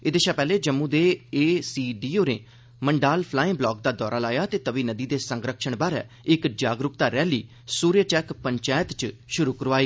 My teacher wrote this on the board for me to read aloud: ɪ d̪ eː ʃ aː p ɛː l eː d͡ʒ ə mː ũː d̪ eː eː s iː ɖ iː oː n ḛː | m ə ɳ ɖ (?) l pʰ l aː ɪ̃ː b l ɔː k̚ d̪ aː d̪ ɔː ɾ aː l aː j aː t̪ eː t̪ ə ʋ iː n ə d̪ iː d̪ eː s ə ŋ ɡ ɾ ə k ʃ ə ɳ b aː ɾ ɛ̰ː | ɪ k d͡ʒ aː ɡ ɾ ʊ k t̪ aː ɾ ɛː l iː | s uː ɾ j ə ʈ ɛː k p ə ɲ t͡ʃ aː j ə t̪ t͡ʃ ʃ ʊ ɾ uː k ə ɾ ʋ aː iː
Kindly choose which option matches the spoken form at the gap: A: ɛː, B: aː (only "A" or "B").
B